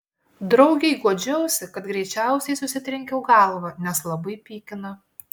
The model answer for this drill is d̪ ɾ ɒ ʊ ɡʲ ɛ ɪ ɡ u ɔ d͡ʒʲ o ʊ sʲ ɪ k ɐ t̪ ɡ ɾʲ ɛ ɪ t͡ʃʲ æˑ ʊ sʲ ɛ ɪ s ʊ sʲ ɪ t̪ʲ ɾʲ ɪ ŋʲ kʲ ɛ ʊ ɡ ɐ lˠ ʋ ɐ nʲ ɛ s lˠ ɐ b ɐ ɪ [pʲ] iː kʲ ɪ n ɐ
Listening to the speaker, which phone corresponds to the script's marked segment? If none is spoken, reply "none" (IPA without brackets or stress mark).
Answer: pʲ